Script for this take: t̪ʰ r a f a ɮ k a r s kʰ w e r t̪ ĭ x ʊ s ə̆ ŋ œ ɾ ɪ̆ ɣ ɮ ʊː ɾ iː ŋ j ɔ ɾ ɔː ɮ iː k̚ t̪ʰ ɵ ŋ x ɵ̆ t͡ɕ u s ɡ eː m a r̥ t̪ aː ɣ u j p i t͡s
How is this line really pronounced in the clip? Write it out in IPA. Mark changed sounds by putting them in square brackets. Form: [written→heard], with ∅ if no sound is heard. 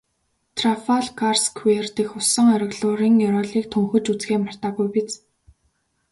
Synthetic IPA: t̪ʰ r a f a ɮ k a r s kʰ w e r t̪ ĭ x ʊ s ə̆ ŋ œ ɾ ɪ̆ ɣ ɮ ʊː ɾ iː ŋ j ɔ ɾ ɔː ɮ iː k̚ t̪ʰ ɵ ŋ x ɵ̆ t͡ɕ u [s→t͡s] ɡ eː m a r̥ t̪ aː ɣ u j p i t͡s